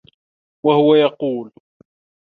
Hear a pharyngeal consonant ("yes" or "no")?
no